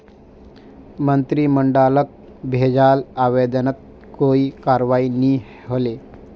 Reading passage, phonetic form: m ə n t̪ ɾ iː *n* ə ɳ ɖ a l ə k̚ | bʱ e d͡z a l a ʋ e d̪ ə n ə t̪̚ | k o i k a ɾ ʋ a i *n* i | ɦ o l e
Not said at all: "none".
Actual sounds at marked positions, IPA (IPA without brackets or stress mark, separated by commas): m, n